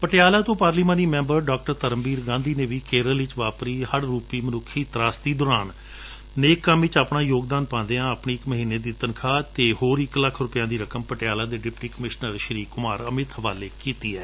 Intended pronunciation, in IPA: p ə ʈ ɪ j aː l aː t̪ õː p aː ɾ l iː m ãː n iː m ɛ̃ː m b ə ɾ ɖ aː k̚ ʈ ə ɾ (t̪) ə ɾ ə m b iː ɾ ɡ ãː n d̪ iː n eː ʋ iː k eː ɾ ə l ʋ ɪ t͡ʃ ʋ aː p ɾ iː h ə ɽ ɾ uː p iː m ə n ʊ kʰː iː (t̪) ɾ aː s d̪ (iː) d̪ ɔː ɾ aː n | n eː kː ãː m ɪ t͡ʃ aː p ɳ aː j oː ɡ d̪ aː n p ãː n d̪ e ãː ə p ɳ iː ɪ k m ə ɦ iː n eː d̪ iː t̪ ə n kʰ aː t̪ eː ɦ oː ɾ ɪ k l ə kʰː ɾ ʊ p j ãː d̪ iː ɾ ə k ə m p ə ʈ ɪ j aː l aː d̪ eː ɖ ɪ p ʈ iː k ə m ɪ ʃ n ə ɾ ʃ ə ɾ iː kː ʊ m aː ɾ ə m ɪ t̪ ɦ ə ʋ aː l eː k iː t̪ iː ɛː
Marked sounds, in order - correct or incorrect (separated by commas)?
correct, correct, correct